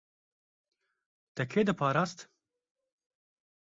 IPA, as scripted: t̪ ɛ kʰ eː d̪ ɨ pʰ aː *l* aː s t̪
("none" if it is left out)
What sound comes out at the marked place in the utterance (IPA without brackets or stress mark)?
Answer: ɾ